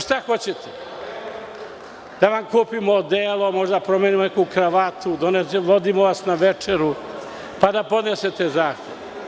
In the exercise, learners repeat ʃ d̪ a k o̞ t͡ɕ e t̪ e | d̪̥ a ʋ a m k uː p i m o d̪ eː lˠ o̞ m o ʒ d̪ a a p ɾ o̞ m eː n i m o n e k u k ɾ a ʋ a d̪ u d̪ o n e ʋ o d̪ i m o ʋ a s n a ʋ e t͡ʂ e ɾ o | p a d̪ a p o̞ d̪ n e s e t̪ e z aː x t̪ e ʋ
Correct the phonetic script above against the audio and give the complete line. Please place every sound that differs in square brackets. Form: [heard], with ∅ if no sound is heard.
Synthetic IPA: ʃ [t̪] a [x] o̞ t͡ɕ e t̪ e | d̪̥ a ʋ a m k uː p i m o d̪ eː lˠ o̞ m o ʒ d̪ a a p ɾ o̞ m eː n i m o n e k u k ɾ a ʋ a [t̪] u d̪ o n e ʋ o d̪ i m o ʋ a s n a ʋ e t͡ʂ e ɾ [u] | p a d̪ a p o̞ d̪ n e s e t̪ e z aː x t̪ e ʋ